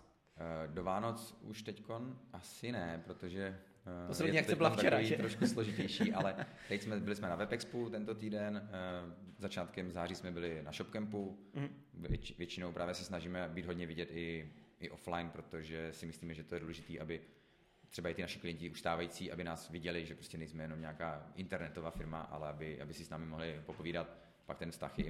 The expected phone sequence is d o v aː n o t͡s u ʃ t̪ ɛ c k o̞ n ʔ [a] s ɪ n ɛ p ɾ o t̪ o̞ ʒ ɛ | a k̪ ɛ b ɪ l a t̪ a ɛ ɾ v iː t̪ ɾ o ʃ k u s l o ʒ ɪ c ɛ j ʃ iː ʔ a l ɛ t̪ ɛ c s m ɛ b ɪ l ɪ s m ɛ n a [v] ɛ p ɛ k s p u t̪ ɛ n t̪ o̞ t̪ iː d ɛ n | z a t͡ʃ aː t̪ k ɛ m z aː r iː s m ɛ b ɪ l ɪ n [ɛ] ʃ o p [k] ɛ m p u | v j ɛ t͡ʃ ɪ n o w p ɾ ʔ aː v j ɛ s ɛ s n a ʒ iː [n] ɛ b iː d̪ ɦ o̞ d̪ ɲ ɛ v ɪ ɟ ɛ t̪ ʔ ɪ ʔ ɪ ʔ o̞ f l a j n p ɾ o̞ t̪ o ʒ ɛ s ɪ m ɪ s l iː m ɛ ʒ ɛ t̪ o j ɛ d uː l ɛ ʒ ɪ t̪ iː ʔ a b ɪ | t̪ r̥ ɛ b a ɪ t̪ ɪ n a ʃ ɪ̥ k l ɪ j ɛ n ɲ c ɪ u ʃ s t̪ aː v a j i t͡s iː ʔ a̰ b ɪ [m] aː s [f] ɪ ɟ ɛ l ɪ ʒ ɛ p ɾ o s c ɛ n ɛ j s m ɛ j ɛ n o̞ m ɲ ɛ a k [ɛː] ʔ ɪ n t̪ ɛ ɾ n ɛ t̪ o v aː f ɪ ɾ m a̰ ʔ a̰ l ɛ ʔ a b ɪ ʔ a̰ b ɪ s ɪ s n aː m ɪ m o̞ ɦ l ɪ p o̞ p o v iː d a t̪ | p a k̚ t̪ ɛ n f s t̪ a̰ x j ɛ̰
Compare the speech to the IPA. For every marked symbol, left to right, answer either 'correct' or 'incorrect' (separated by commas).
correct, correct, incorrect, correct, incorrect, incorrect, incorrect, incorrect